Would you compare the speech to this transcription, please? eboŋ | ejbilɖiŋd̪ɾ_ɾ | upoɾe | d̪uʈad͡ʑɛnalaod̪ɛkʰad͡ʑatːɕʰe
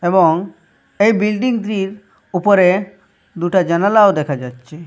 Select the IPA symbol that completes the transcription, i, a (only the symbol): i